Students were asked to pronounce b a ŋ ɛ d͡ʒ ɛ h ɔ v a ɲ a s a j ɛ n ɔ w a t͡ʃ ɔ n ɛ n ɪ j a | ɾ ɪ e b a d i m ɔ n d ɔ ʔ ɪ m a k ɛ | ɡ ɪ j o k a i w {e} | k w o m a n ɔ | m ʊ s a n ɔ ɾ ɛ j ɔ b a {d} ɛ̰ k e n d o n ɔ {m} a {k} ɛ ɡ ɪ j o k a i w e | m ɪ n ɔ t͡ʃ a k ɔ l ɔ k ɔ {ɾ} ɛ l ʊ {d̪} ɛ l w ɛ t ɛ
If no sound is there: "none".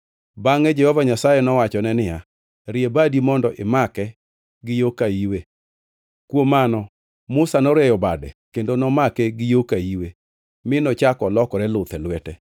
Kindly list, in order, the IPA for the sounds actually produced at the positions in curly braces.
e, d, m, k, ɾ, t̪

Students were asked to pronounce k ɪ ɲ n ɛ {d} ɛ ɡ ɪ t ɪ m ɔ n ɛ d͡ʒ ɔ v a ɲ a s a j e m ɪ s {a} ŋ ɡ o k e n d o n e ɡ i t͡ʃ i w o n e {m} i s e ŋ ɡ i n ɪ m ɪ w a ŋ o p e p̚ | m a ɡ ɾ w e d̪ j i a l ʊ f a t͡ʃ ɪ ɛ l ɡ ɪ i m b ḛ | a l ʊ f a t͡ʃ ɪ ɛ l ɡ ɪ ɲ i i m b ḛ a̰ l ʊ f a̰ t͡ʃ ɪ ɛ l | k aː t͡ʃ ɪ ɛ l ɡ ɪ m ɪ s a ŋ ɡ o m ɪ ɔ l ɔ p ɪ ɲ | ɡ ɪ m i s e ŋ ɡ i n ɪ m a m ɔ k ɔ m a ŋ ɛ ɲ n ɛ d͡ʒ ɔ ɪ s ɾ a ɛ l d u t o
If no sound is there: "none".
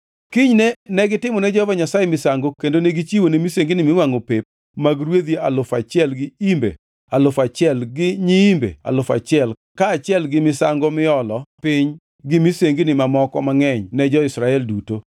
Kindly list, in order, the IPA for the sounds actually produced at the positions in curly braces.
n, a, m

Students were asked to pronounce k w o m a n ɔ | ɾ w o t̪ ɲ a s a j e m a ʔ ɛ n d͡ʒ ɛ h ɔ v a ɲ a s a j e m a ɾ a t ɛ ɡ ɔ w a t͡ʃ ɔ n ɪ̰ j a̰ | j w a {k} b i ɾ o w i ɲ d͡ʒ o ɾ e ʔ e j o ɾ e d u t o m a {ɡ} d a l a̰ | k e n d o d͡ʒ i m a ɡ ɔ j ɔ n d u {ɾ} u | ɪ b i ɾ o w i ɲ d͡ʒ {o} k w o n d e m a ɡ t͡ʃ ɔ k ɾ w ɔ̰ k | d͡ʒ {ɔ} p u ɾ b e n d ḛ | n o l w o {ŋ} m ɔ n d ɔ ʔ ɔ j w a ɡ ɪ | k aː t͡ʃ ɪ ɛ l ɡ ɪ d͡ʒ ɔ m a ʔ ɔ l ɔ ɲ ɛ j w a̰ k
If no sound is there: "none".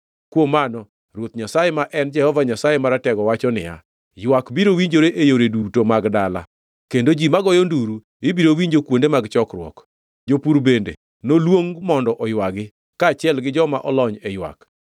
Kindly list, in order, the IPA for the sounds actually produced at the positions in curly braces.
k, ɡ, ɾ, o, o, ŋ

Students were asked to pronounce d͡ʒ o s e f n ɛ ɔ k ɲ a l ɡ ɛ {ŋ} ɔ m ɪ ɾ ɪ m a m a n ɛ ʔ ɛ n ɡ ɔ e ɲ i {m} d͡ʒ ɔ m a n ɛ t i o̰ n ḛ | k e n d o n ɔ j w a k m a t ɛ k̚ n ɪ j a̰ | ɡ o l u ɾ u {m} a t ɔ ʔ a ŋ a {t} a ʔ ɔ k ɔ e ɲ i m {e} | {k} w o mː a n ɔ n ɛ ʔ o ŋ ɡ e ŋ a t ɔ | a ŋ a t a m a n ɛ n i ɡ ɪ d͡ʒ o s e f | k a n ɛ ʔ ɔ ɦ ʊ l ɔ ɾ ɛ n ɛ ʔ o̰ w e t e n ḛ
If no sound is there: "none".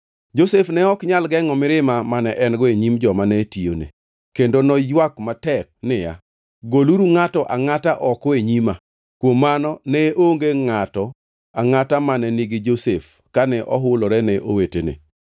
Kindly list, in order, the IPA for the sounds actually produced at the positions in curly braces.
ŋ, m, ŋ, t, a, k

